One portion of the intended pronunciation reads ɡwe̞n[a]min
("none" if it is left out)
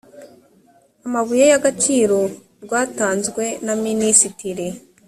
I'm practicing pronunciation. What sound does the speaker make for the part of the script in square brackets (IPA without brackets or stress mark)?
a